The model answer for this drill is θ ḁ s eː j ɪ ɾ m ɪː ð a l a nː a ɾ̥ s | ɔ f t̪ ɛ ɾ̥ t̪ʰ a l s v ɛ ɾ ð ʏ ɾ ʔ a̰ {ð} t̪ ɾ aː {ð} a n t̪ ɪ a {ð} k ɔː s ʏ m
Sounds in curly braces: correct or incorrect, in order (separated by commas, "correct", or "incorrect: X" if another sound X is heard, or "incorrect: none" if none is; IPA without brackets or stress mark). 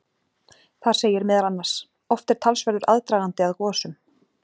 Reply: correct, incorrect: ɣ, correct